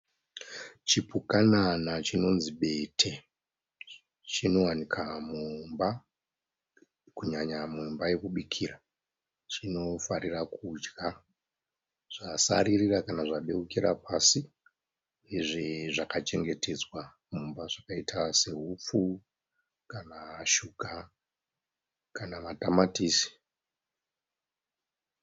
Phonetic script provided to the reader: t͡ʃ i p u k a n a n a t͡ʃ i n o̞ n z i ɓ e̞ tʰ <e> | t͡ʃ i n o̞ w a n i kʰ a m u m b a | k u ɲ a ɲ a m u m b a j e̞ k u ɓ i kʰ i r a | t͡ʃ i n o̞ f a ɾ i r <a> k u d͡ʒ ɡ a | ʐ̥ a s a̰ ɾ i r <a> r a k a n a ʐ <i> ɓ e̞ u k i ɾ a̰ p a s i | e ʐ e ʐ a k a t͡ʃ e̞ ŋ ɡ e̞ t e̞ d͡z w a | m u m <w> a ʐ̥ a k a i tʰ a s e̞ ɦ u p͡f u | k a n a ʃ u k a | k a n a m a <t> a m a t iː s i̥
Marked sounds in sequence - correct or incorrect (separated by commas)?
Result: correct, correct, incorrect, incorrect, incorrect, correct